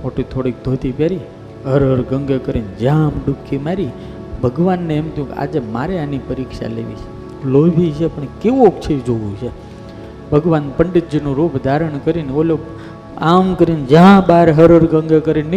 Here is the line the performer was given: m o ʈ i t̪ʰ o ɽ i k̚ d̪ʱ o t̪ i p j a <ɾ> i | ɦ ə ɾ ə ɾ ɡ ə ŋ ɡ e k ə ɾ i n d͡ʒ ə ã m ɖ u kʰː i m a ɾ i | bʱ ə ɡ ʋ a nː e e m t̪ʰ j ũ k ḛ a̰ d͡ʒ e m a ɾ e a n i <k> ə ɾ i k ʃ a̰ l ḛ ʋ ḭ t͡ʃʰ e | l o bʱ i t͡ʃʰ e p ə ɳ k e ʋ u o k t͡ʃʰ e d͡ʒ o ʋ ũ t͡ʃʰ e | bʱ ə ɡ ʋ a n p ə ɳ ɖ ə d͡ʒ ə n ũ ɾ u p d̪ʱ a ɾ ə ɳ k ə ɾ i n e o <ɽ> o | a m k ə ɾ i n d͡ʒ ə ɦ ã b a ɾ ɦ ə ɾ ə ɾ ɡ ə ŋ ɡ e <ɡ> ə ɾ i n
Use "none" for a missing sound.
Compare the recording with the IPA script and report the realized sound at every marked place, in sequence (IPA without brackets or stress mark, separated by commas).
ɾ, p, l, k